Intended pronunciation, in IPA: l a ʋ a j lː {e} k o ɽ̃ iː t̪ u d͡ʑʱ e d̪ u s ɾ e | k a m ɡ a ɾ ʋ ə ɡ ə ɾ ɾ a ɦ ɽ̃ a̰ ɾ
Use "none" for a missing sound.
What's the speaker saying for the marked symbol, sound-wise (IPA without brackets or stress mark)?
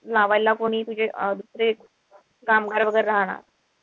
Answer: a